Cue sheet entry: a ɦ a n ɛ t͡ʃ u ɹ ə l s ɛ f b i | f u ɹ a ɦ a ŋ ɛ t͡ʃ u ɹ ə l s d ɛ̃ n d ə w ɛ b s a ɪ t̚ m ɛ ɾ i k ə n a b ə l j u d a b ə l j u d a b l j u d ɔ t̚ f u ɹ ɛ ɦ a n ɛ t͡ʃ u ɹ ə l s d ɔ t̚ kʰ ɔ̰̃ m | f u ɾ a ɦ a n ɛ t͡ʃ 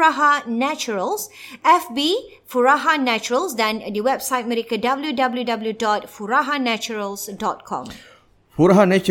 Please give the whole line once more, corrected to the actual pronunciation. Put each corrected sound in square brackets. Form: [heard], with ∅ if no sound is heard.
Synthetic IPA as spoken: a ɦ a n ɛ t͡ʃ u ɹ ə l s ɛ f b i | f u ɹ a ɦ a [n] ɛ t͡ʃ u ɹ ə l s d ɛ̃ n d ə w ɛ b s a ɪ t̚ m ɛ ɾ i k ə [d] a b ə l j u d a b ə l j u d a b l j u d ɔ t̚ f u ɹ [a] ɦ a n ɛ t͡ʃ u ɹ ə l s d ɔ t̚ kʰ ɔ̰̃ m | f u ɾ a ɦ a n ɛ t͡ʃ